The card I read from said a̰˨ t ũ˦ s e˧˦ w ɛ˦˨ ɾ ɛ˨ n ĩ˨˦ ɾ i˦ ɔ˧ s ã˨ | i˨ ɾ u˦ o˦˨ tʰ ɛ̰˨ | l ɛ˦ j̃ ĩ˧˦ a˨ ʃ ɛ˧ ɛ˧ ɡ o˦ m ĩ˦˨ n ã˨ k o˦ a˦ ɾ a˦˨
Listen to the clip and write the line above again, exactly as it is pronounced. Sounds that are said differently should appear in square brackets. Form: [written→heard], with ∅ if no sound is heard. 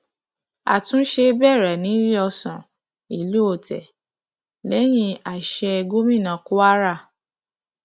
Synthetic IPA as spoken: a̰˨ t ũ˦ [s→ʃ] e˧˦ [w→b] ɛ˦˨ ɾ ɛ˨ n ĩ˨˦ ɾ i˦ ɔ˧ s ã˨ | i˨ [ɾ→l] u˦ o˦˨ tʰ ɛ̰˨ | l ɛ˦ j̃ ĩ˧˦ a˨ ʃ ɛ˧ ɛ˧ ɡ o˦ m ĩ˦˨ n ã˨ k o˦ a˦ ɾ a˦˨